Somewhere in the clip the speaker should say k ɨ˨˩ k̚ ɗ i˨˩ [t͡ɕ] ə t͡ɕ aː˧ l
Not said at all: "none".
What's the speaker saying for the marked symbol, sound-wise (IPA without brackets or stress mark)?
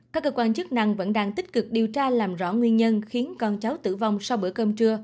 none